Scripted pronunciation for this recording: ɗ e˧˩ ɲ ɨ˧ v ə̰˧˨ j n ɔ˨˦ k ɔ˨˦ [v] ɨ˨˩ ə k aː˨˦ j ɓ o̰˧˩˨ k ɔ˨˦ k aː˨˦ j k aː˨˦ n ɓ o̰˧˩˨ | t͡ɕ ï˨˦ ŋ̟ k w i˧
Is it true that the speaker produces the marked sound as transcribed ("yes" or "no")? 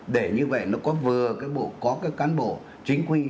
yes